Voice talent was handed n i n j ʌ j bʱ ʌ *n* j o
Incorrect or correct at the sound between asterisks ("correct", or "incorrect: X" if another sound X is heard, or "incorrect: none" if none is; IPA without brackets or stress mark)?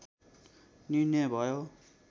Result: incorrect: none